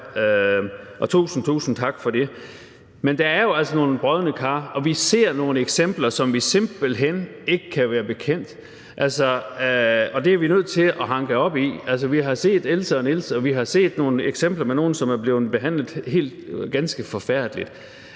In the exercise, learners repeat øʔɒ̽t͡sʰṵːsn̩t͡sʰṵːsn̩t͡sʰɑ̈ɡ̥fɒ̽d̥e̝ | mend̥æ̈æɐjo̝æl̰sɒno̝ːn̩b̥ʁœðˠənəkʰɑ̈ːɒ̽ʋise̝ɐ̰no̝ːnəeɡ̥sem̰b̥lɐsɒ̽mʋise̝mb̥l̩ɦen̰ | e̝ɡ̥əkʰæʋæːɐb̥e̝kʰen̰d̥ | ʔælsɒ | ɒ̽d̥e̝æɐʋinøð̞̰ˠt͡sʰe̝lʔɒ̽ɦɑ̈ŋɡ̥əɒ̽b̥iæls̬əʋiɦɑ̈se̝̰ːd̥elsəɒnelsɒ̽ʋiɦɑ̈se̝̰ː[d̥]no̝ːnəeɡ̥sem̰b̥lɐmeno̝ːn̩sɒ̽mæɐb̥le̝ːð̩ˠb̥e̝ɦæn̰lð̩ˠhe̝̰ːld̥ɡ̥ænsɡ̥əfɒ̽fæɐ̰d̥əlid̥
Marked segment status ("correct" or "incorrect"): correct